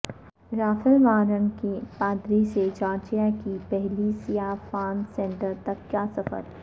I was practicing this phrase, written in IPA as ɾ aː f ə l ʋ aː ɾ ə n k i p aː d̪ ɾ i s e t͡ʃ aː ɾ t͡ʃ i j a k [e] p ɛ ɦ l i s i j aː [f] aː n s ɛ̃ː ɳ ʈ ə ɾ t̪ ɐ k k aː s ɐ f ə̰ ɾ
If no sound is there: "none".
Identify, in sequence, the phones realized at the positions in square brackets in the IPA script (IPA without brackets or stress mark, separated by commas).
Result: i, f